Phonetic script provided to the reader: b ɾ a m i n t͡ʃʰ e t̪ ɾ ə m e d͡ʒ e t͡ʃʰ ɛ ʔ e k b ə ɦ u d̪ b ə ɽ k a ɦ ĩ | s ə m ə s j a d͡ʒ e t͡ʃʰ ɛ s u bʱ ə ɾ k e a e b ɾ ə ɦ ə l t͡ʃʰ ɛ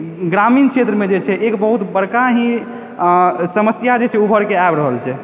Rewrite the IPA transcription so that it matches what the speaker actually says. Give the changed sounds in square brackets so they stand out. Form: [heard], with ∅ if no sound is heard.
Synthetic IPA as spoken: [ɡ] ɾ a m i n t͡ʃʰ e t̪ ɾ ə m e d͡ʒ e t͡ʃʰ ɛ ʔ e k b ə ɦ u [t̪] b ə ɽ k a ɦ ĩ | s ə m ə s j a d͡ʒ e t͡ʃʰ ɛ [∅] u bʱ ə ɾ k e a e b ɾ ə ɦ ə l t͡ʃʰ ɛ